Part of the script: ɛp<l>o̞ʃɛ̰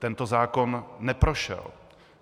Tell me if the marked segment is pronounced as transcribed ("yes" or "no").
no